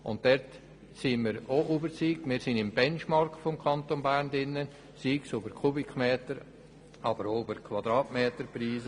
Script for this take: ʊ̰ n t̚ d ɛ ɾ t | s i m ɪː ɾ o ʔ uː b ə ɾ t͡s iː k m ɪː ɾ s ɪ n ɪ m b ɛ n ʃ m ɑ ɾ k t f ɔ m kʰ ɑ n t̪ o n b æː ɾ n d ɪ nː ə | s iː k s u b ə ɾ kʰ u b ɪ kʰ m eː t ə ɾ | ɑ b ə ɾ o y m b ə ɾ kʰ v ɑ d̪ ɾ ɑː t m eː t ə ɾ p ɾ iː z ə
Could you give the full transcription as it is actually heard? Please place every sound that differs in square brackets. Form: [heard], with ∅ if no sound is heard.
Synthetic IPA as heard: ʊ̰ n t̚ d ɛ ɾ t | s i m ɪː ɾ o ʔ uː b ə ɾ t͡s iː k m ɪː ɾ s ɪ n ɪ m b ɛ n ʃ m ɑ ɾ k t f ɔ m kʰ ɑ n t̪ o n b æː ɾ n d ɪ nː ə | s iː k s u b ə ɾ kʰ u b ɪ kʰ m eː t ə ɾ | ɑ b ə ɾ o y [∅] b ə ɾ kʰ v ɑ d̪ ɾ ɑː t m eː t ə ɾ p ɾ iː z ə